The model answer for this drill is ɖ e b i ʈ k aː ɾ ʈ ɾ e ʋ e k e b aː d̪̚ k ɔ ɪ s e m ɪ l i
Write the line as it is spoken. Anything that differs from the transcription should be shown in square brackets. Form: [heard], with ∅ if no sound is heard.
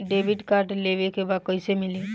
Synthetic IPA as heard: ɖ e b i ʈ k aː ɾ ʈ [l] e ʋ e k e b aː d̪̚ k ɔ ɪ s e m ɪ l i